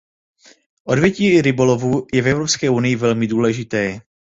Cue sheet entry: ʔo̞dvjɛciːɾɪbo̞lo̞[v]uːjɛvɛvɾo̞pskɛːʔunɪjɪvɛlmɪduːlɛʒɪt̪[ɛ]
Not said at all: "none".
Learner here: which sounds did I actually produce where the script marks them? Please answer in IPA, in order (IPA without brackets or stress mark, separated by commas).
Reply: v, ɛː